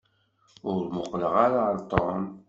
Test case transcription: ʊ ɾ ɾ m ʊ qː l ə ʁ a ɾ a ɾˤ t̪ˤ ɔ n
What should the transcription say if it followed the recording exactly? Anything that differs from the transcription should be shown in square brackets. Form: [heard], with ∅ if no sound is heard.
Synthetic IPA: ʊ ɾ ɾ m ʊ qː l ə ʁ a ɾ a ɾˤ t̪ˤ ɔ n